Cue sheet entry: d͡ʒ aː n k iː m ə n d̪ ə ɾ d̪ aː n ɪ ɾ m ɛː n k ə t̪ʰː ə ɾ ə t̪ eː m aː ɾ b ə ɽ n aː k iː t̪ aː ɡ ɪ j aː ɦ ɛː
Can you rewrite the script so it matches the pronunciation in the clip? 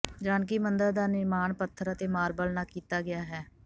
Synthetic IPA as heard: d͡ʒ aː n k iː m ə n d̪ ə ɾ d̪ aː n ɪ ɾ m aː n p ə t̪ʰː ə ɾ ə t̪ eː m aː ɾ b ə l n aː k iː t̪ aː ɡ ɪ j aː ɦ ɛː